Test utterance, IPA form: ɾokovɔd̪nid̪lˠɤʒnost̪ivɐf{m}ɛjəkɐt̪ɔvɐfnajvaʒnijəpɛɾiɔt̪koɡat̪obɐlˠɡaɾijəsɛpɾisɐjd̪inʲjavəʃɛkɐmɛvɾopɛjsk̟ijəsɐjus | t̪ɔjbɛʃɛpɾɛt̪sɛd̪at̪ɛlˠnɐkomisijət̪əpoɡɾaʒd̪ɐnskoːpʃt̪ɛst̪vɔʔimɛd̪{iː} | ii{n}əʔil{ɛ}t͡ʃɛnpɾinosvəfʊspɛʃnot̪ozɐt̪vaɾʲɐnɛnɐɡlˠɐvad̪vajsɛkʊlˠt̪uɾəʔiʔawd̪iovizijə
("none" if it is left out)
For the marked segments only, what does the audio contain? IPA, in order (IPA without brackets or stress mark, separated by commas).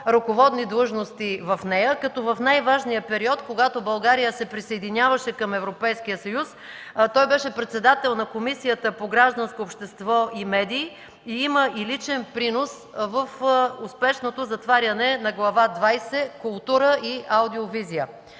n, iː, m, i